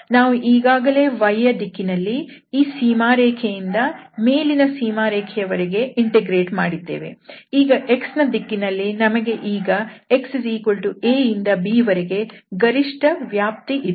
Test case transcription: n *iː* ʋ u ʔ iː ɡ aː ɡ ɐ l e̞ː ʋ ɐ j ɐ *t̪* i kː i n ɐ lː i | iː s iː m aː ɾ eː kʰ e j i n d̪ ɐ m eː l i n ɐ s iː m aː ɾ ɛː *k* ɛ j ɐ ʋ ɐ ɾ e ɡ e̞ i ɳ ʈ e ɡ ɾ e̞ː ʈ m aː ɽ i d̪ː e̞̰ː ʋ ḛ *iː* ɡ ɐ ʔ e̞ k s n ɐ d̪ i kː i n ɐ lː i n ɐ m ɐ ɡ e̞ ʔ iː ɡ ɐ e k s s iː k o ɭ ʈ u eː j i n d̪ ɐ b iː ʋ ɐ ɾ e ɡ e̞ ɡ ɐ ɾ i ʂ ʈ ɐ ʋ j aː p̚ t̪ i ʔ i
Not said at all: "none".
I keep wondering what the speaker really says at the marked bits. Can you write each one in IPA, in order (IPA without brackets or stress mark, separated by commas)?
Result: aː, d̪, kʰ, iː